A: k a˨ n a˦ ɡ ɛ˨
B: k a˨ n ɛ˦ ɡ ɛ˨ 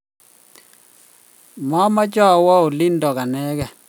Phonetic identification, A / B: B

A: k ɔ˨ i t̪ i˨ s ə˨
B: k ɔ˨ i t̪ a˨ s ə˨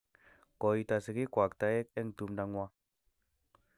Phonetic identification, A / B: B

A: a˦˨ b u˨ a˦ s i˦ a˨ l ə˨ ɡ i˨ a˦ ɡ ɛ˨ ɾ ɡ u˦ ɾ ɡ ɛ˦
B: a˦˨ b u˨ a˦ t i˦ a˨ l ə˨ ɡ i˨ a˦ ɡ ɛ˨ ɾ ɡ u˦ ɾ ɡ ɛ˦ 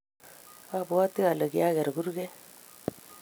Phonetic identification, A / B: B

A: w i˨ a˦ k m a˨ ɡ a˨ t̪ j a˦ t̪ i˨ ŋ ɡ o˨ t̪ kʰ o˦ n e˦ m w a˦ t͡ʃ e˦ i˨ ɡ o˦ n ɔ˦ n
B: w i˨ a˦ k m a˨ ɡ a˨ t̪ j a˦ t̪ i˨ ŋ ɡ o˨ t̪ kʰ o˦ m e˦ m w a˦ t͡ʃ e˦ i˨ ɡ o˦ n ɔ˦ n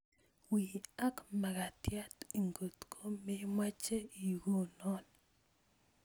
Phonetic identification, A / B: B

